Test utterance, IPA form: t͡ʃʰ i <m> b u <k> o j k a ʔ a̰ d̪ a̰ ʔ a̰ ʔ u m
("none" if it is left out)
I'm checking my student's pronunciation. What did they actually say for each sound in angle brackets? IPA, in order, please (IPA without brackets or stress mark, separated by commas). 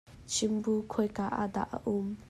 m, kʰ